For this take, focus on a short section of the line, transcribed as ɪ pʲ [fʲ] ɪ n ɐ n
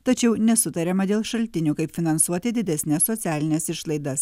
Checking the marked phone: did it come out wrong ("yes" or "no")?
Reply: no